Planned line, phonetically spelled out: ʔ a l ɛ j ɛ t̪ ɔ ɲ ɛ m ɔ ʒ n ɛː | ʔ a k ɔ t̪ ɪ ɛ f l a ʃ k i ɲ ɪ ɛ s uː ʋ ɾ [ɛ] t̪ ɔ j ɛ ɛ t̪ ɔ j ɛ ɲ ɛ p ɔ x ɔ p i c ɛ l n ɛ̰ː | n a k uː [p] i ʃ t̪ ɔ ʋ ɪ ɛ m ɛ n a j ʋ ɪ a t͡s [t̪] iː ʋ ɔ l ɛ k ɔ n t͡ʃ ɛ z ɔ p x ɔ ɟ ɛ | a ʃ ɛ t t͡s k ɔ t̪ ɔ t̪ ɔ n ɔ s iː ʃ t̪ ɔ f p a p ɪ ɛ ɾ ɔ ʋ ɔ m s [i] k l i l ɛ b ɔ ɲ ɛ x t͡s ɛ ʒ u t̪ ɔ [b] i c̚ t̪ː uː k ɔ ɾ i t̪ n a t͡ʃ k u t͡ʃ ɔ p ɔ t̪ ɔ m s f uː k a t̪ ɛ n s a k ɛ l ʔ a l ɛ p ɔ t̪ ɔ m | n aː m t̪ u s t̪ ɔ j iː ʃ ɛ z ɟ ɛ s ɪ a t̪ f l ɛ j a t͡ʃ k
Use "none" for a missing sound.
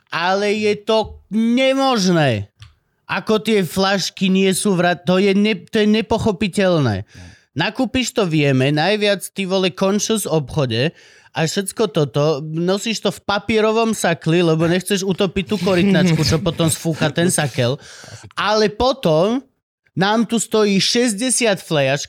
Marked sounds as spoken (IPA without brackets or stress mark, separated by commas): a, p, t̪, a, p